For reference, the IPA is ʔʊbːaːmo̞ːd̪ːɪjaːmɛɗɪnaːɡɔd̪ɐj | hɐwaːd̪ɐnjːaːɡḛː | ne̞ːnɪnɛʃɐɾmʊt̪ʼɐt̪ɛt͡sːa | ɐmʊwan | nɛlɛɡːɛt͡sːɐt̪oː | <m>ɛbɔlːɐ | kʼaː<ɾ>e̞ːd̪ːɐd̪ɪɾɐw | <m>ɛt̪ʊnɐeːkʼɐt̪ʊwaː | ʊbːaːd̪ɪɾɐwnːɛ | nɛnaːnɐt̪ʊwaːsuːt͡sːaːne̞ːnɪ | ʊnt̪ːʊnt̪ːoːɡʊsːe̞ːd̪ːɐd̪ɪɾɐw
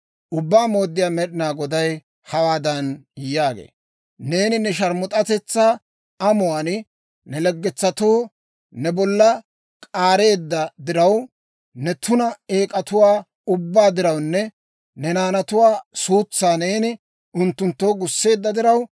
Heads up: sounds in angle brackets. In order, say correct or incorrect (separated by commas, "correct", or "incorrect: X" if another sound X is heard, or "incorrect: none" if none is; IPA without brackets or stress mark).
incorrect: n, correct, incorrect: n